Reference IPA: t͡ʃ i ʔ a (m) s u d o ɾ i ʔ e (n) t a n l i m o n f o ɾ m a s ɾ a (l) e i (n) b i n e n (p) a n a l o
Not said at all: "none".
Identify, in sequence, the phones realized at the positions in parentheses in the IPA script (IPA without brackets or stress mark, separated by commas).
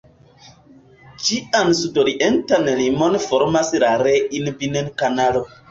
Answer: n, n, ɾ, n, k